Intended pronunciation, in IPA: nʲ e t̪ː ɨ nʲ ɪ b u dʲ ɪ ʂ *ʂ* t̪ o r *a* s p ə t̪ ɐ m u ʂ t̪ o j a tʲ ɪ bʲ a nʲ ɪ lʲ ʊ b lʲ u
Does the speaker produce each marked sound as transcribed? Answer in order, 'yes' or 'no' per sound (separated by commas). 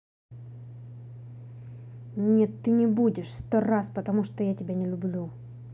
no, yes